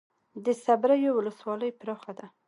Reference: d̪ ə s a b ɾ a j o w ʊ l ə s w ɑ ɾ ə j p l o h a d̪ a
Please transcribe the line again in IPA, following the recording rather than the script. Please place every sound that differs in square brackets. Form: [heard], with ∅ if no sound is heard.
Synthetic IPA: d̪ ə s a b ɾ a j o w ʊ l ə s w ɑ [l] ə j p [ɾ] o [x] a d̪ a